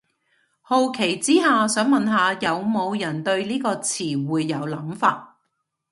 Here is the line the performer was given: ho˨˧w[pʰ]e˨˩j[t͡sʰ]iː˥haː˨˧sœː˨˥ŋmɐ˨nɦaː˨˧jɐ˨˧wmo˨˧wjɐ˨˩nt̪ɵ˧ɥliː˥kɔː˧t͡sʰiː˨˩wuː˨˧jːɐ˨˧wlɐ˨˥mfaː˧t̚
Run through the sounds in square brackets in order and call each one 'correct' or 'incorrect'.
incorrect, incorrect

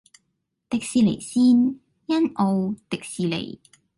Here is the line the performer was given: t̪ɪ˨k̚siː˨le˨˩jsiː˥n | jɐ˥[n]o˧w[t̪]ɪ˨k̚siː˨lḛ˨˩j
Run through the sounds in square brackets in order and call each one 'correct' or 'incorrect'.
correct, correct

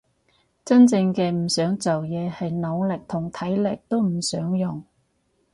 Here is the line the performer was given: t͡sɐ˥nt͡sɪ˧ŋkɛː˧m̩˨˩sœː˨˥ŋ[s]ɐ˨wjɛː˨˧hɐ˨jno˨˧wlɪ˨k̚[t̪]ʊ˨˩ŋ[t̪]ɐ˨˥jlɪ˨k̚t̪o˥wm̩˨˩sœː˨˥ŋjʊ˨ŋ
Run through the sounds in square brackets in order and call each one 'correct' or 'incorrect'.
incorrect, incorrect, incorrect

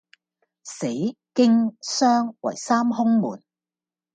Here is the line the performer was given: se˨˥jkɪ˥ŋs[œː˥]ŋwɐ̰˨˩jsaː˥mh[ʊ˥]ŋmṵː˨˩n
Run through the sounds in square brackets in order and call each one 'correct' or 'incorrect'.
correct, correct

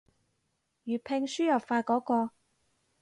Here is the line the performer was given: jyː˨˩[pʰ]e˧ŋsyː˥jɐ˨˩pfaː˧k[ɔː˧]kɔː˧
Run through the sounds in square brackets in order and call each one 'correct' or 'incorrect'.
correct, incorrect

